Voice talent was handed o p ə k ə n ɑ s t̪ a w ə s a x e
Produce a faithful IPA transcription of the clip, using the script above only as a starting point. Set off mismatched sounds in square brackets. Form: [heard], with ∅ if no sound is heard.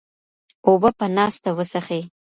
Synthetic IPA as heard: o [b] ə [p] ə n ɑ s t̪ a w ə s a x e

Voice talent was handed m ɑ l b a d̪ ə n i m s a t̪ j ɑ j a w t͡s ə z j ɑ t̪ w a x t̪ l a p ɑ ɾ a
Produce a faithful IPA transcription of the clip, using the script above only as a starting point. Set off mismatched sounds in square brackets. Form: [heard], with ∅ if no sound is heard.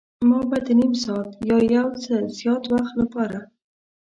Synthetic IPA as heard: m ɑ [∅] b a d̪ ə n i m s [ɑ] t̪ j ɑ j a w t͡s ə z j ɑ t̪ w a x t̪ l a p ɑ ɾ a

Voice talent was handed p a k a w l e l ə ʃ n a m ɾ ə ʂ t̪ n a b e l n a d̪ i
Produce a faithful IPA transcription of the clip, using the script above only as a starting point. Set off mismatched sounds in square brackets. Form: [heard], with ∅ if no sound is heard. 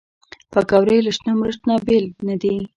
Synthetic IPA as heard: p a k a w [ɾ] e l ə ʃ n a m ɾ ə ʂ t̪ n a b e l n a d̪ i

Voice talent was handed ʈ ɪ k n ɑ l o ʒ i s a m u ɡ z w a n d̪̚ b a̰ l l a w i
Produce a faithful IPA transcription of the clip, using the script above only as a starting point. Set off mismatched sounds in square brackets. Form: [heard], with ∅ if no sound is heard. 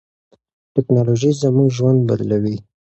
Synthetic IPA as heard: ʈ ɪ k n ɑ l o ʒ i [z] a m u ɡ [ʒ] w a n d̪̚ b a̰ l l a w i

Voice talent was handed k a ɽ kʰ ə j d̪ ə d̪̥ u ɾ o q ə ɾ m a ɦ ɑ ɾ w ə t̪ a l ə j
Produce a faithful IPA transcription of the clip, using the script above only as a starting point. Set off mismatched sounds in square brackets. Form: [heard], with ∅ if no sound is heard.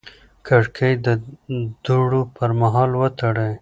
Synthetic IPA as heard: k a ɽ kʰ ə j d̪ ə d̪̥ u [ɽ] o [p] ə ɾ m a ɦ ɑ [l] w ə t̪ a [ɽ] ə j

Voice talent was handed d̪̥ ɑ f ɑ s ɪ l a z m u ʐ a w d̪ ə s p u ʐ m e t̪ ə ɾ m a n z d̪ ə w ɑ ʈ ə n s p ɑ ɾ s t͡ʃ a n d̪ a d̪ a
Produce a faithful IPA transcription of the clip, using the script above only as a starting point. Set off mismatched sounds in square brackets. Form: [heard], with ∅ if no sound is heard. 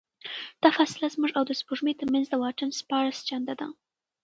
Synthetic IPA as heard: d̪̥ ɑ f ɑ s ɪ l a z m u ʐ a w d̪ ə s p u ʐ m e t̪ ə ɾ m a n z d̪ ə w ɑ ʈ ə n s p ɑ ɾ s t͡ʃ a n d̪ a d̪ a

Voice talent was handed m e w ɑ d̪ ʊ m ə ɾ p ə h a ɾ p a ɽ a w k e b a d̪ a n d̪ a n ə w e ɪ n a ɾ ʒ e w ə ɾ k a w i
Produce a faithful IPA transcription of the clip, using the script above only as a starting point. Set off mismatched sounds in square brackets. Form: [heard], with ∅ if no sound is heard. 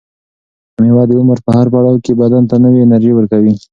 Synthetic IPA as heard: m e w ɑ d̪ ʊ m ə ɾ p ə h a ɾ p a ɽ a w k e b a d̪ a n [t̪] a n ə w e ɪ n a ɾ ʒ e w ə ɾ k a w i

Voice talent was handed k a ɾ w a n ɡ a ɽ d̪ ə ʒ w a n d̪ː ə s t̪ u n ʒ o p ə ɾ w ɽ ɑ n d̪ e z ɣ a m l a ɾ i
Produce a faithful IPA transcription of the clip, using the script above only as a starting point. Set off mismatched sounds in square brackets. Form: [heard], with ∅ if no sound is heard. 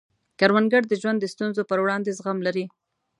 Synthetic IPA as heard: k a ɾ w a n ɡ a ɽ d̪ ə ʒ w a n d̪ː ə s t̪ u n [z] o p ə ɾ w ɽ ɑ n d̪ e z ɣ a m l a ɾ i

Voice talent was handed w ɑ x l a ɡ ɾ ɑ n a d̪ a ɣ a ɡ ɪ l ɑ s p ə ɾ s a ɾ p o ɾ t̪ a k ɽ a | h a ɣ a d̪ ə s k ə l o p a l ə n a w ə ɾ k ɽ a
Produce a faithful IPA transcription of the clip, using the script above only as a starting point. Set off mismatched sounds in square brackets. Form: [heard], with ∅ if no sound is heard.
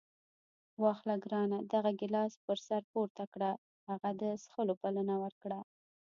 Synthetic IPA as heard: w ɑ x l a ɡ ɾ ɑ n a d̪ a ɣ a ɡ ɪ l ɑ s p ə ɾ s a ɾ p o ɾ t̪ a k ɽ a | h a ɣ a d̪ ə s [x] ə l o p a l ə n a w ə ɾ k ɽ a

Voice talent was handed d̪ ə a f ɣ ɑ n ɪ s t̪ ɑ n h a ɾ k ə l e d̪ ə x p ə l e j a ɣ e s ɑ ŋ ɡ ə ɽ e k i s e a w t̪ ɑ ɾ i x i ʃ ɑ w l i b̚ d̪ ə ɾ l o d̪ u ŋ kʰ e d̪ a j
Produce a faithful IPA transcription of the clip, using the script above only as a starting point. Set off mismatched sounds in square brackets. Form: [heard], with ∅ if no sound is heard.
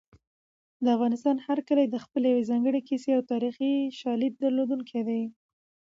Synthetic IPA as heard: d̪ ə a f ɣ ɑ n ɪ s t̪ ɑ n h a ɾ k ə l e d̪ ə x p ə l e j a [w] e [z] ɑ ŋ ɡ ə ɽ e k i s e a w t̪ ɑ ɾ i x i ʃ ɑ [∅] l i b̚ d̪ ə ɾ l o d̪ u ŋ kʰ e d̪ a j

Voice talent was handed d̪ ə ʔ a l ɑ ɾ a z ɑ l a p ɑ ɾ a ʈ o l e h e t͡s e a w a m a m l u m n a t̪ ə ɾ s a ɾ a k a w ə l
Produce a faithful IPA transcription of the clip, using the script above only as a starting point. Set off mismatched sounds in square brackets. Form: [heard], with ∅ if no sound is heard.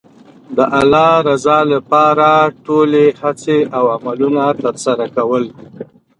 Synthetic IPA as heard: d̪ ə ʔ a l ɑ ɾ a z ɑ l a p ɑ ɾ a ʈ o l e h [a] t͡s e a w a m a [∅] l u [∅] n a t̪ ə ɾ s a ɾ a k a w ə l

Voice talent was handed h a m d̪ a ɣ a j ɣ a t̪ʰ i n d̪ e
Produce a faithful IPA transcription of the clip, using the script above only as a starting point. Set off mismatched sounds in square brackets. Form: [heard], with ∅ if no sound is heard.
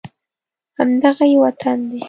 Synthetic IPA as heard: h a m d̪ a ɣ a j [w] a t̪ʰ [a] n d̪ e

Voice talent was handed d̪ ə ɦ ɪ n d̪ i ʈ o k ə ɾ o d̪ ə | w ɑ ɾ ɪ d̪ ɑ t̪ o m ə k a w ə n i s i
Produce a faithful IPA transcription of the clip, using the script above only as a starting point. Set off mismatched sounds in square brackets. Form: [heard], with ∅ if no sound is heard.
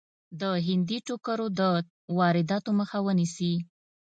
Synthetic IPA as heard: d̪ ə ɦ ɪ n d̪ i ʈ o k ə ɾ o d̪ ə | w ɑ ɾ ɪ d̪ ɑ t̪ o m ə [x] a w ə n i s i

